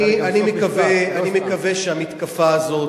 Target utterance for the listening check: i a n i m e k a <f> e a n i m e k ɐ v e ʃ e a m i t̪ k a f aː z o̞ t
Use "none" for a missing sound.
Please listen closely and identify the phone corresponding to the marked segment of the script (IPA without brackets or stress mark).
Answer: v